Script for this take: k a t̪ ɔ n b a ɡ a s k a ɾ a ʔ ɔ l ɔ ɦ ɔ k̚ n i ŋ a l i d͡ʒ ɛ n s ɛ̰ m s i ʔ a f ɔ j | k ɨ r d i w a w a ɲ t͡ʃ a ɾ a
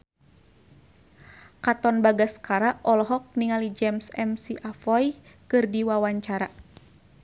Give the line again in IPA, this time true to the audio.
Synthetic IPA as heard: k a t̪ ɔ n b a ɡ a s k a ɾ a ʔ ɔ l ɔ ɦ ɔ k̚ n i ŋ a l i d͡ʒ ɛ m s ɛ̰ m s i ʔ a f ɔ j | k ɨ r d i w a w a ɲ t͡ʃ a ɾ a